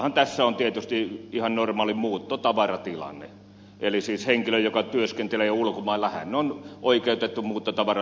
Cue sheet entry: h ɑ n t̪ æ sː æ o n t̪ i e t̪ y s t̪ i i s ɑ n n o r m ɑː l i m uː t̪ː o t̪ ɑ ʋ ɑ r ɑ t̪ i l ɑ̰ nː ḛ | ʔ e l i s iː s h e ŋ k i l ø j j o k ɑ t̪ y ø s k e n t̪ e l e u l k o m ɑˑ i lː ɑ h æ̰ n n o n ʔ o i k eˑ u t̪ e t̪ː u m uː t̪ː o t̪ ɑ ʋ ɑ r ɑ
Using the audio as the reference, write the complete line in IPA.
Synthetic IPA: h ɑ n t̪ æ sː æ o n t̪ i e t̪ y s t̪ i i h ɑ n n o r m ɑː l i m uː t̪ː o t̪ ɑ ʋ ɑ r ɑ t̪ i l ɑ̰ nː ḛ | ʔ e l i s iː s h e ŋ k i l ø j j o k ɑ t̪ y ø s k e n t̪ e l e u l k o m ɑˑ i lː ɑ h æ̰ n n o n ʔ o i k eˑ u t̪ e t̪ː u m uː t̪ː o t̪ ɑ ʋ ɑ r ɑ